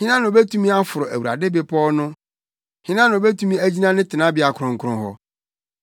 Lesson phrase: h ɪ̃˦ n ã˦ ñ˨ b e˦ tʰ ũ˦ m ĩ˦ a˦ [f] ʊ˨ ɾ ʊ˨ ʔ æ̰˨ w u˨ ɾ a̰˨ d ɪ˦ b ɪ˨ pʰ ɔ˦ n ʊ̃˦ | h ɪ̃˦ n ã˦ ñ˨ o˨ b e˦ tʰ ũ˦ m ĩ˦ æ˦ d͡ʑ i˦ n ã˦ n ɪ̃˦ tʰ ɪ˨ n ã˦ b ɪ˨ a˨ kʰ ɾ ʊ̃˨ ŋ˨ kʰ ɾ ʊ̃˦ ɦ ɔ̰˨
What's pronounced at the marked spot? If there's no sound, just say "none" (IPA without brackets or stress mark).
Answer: f